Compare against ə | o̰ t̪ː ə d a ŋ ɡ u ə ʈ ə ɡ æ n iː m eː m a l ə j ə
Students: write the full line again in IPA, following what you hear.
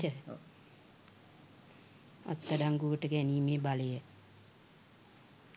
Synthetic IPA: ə | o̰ t̪ː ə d a ŋ ɡ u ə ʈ ə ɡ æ n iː m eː b a l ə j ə